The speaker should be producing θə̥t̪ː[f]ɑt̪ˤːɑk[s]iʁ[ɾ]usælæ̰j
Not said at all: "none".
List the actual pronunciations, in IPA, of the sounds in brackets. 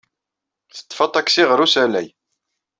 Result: f, s, ɾ

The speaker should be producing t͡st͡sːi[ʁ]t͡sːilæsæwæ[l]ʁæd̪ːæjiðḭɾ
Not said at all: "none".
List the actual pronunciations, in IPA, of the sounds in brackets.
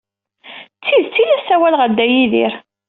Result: ð, l

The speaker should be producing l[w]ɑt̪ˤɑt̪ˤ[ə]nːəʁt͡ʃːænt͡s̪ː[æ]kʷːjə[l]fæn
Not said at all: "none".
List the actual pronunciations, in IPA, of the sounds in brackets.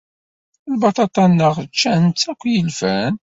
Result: b, ɑ, æ, l

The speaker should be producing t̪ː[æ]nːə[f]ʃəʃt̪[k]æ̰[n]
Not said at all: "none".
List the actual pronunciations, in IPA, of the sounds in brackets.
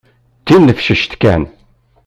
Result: i, f, k, n

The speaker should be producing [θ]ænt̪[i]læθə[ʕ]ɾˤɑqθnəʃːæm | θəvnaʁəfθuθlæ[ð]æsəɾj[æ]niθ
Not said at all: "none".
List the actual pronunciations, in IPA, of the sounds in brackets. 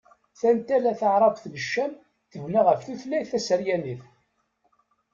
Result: θ, æ, ʕ, θ, æ

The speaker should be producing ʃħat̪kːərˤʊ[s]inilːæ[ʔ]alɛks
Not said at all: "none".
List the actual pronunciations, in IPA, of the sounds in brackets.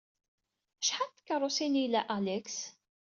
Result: s, ʔ

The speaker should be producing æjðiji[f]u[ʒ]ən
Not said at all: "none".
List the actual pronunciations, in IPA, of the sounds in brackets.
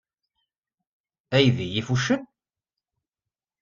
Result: f, ʃ

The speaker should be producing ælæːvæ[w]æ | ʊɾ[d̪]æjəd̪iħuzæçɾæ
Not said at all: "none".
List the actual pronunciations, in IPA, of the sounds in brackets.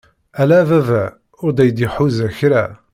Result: v, d̪

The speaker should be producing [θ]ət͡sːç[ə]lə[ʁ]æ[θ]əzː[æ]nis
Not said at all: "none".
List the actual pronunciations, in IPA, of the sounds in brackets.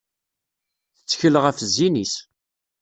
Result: θ, ə, ʁ, f, i

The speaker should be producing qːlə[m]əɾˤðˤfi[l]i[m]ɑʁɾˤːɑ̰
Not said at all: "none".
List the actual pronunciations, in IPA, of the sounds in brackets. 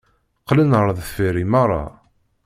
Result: n, ɾ, m

